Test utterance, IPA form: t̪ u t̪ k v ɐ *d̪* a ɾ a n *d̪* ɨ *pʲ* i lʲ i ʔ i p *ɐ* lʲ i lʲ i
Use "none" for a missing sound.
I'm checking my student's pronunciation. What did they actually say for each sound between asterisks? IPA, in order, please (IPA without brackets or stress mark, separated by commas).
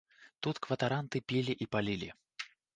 t̪, t̪, pʲ, a